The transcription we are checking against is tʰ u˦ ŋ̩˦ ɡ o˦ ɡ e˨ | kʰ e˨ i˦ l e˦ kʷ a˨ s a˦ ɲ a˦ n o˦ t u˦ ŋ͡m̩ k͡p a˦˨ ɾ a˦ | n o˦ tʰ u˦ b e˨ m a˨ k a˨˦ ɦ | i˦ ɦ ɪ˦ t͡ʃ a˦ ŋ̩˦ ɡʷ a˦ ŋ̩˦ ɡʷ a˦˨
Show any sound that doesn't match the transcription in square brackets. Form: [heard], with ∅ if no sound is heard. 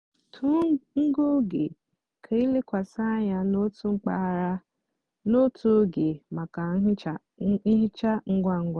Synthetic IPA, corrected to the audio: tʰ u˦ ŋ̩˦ ɡ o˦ ɡ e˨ | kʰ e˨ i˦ l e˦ kʷ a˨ s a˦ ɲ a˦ n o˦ t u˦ ŋ͡m̩ k͡p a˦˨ ɾ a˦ | n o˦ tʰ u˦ [ɡ] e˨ m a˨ k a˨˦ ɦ | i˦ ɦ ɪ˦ t͡ʃ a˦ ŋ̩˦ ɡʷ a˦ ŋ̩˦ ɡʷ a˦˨